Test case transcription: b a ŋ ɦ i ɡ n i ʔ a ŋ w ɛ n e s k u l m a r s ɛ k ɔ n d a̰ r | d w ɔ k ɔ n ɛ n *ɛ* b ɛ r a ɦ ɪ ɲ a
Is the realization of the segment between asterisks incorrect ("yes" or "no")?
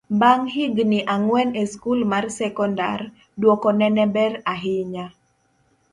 no